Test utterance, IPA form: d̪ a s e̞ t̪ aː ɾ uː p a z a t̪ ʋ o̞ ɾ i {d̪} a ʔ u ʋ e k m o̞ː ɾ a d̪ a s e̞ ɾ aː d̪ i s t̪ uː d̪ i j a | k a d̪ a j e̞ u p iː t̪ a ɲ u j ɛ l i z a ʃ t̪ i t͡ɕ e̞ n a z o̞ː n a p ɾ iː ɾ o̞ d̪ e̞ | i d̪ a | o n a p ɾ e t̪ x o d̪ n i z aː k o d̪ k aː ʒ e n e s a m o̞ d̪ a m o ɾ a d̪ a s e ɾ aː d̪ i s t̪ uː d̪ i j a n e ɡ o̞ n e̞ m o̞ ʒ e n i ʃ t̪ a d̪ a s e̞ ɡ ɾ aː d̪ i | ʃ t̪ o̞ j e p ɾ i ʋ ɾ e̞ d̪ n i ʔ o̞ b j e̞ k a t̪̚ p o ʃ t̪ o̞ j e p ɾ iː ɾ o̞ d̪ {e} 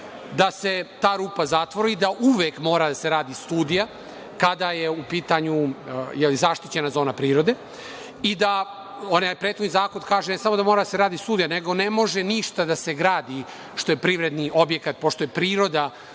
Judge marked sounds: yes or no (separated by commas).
yes, no